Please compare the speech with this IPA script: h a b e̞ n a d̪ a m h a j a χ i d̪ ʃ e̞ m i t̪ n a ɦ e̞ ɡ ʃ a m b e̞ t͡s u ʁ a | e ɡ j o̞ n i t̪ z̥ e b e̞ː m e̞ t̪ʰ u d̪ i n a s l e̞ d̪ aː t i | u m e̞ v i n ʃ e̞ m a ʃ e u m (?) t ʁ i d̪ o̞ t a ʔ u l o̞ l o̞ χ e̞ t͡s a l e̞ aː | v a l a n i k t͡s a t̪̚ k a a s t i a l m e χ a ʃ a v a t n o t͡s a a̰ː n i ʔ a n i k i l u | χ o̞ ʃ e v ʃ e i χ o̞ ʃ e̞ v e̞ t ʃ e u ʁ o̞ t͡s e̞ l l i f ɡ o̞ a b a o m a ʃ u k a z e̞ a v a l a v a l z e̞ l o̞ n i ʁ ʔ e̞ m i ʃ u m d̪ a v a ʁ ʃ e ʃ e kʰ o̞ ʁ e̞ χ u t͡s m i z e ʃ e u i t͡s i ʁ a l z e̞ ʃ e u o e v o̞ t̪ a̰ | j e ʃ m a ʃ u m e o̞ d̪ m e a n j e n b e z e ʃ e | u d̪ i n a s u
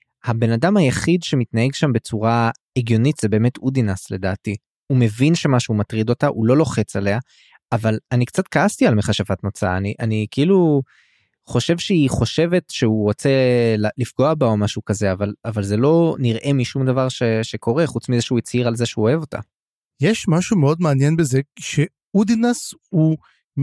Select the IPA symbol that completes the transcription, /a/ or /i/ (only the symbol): a